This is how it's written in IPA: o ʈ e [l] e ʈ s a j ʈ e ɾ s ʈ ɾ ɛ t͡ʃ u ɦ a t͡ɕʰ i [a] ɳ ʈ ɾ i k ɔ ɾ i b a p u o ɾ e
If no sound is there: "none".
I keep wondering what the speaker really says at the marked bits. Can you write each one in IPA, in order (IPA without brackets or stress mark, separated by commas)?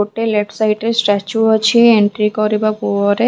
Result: l, e